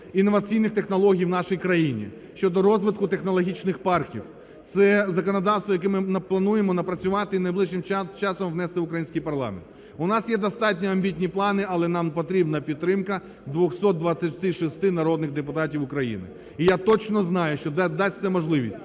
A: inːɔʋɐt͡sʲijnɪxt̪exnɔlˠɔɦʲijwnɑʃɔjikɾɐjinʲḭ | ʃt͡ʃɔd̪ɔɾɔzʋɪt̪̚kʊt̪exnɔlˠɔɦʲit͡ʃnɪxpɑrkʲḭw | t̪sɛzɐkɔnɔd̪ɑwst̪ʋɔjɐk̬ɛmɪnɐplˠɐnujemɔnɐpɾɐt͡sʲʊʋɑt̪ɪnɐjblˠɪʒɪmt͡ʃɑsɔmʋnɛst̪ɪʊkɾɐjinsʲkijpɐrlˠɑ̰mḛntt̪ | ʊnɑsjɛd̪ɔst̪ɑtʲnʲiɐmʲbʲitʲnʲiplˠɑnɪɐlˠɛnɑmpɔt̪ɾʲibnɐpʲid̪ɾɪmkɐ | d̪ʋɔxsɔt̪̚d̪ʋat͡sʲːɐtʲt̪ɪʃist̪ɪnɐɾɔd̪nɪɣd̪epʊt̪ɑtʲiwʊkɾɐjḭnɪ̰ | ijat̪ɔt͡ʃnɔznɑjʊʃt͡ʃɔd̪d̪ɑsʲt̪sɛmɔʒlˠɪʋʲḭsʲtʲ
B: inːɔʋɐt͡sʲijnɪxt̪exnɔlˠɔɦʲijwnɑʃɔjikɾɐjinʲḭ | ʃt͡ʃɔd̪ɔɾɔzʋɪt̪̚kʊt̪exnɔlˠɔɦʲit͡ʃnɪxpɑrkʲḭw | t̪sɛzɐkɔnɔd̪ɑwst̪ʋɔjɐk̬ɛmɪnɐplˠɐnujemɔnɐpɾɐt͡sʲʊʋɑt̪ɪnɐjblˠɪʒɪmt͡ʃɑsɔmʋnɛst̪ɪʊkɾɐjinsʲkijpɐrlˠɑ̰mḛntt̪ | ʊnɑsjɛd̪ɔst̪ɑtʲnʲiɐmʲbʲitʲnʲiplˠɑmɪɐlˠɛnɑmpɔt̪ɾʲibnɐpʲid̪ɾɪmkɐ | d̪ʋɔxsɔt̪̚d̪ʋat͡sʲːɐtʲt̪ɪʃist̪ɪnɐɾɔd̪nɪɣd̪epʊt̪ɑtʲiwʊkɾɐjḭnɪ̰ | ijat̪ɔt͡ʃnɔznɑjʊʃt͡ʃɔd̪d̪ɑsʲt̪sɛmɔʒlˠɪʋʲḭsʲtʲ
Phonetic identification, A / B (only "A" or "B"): A